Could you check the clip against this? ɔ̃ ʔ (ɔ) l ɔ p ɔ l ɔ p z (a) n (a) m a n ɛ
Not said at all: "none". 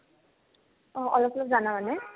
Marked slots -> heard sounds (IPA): ɔ, a, a

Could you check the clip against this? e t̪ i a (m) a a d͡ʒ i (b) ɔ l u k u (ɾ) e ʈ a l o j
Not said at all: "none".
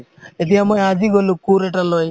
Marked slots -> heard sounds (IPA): m, ɡ, ɾ

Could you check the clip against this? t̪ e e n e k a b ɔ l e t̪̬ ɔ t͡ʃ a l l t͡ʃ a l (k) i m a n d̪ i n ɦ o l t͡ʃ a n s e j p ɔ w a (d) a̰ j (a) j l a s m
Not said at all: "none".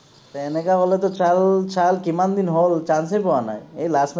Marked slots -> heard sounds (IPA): k, n, e

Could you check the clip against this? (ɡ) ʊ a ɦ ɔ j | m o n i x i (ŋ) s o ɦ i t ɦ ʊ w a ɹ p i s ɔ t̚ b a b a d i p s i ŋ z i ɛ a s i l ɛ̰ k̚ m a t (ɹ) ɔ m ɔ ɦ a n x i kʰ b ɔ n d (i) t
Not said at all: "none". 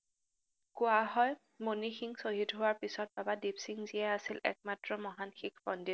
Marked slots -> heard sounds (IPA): k, ŋ, ɹ, i

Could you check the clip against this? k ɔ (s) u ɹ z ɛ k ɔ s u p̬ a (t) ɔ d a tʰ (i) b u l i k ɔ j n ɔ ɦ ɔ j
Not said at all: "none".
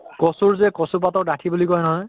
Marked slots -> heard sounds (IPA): s, t, i

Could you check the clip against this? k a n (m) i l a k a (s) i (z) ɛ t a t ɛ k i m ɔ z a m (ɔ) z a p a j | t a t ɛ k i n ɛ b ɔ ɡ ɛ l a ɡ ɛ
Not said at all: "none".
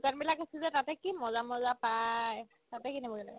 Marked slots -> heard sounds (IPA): b, s, z, ɔ

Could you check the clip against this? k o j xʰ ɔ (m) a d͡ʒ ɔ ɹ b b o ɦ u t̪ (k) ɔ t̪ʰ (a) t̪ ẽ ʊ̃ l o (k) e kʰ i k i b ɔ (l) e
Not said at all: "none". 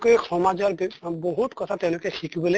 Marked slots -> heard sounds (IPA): m, k, a, k, l

